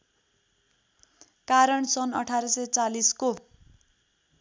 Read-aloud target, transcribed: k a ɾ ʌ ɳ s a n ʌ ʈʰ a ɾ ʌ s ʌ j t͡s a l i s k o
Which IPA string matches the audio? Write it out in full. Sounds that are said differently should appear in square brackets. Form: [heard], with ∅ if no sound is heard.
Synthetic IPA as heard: k a ɾ ʌ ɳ s [ʌ] n ʌ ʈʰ a ɾ ʌ s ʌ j t͡s a l i s k o

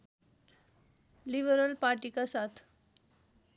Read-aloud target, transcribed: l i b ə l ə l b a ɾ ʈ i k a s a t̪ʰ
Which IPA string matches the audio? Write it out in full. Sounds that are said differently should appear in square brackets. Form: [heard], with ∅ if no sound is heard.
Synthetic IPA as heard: l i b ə [ɾ] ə l [p] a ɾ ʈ i k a s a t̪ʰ

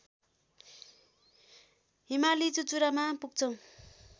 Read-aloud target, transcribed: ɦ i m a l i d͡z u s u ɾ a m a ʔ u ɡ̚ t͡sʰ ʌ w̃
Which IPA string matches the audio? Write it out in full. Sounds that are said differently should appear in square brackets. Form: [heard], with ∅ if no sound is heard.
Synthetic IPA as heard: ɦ i m a l i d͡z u [t͡s] u ɾ a m a [p] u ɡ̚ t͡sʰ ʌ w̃

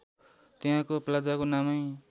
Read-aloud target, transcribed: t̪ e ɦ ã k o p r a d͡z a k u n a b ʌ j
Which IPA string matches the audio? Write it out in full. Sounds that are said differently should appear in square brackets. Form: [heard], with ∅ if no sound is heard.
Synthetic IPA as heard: t̪ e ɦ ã k o p [l] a d͡z a k [o] n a [m] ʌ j

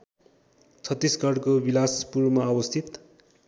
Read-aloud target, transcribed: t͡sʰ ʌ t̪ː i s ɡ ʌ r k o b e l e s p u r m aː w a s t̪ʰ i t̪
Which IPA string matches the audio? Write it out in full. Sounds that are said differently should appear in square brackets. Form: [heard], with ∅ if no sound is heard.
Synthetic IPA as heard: t͡sʰ ʌ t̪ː i s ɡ ʌ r k o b [i] l [a] s p u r m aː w [ʌ] s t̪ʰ i t̪

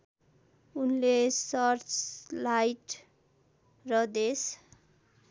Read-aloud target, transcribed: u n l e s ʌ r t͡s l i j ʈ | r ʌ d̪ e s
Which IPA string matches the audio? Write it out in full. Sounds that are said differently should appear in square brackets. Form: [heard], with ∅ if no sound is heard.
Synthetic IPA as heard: u n l e s ʌ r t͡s l [a] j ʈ | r ʌ d̪ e s

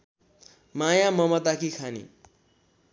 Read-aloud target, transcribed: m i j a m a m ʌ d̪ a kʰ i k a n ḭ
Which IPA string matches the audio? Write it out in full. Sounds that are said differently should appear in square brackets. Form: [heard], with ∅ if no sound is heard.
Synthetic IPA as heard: m [a] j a m [ʌ] m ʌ [t̪] a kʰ i [kʰ] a n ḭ

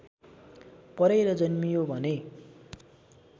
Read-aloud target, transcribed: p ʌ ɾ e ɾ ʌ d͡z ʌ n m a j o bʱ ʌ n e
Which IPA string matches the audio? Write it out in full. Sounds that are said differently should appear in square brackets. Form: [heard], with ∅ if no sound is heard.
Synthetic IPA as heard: p ʌ ɾ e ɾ ʌ d͡z ʌ n m [i] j o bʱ ʌ n e

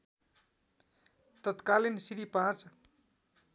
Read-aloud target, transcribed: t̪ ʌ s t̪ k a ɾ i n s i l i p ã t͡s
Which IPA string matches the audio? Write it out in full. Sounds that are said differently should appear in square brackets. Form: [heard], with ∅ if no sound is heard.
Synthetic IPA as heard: t̪ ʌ [∅] t̪ k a [l] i n s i [ɾ] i p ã t͡s

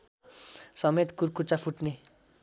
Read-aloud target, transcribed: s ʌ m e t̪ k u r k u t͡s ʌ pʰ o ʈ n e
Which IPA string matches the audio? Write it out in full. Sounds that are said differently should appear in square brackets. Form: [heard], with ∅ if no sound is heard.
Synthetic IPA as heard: s ʌ m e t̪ k u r k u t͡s [a] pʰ [u] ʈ n e

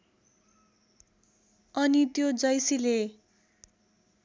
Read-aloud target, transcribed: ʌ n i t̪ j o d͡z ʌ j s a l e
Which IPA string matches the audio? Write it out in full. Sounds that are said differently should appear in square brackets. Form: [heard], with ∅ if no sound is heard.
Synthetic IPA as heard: ʌ n i t̪ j o d͡z ʌ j s [i] l e

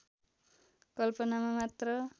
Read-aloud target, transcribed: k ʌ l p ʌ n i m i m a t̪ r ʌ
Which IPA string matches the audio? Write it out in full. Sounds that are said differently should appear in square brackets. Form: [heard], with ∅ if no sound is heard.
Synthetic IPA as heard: k ʌ l p ʌ n [a] m [a] m a t̪ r ʌ

